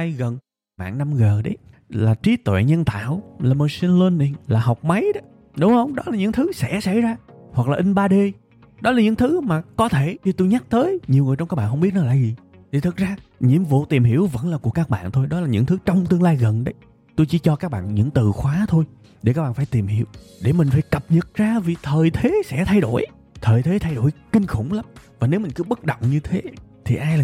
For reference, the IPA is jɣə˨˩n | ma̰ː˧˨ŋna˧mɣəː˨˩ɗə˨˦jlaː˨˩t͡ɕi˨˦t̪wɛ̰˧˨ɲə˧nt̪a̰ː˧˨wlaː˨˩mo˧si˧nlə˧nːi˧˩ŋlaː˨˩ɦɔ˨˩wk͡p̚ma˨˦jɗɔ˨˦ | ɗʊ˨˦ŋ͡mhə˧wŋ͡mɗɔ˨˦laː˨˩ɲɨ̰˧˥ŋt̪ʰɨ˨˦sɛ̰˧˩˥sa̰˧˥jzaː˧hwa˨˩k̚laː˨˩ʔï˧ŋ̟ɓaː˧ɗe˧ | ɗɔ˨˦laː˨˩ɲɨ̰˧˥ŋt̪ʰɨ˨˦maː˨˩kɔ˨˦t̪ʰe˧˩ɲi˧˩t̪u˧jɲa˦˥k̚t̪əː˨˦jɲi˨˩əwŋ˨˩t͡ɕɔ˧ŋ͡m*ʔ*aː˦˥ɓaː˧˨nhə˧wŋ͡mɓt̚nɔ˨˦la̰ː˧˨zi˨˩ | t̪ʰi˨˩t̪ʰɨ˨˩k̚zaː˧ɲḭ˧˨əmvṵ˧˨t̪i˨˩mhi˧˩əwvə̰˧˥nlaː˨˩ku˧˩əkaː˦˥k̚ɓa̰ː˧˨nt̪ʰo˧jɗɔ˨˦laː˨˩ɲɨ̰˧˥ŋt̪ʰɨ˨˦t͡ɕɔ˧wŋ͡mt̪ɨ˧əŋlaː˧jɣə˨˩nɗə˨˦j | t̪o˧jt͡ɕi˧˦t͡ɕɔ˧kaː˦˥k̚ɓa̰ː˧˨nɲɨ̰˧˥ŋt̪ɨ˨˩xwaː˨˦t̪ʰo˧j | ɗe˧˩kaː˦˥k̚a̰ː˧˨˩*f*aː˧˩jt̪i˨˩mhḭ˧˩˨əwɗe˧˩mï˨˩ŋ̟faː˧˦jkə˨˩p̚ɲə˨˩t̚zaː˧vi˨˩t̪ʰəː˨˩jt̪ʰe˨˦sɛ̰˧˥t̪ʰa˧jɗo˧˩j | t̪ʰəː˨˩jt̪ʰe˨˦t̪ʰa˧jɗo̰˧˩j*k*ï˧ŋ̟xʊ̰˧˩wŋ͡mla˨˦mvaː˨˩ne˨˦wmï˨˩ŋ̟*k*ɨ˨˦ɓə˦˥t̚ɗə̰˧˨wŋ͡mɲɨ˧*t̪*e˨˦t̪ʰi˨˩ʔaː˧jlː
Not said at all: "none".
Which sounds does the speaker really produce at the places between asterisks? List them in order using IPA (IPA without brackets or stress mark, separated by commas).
k, f, k, k, t̪ʰ